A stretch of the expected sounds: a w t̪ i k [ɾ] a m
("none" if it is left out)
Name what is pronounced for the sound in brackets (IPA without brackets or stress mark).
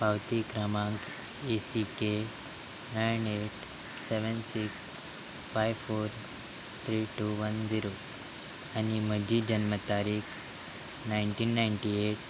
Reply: ɾ